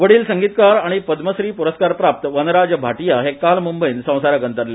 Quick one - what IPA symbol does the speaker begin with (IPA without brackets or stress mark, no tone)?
ʋ